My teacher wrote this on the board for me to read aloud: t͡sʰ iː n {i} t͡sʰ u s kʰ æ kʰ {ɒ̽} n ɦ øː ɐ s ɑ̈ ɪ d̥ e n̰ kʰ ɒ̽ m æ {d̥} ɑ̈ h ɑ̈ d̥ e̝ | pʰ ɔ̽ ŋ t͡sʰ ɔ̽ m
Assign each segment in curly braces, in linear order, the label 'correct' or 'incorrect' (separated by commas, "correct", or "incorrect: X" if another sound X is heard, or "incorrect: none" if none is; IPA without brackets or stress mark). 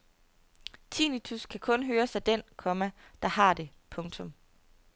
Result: correct, incorrect: ɔ̽, correct